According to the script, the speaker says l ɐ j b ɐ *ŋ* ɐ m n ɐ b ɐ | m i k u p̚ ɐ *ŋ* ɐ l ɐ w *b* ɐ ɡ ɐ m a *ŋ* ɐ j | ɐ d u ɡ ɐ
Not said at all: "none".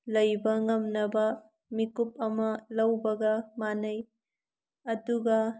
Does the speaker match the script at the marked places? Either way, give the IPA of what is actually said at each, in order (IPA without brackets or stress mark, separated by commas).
ŋ, m, b, n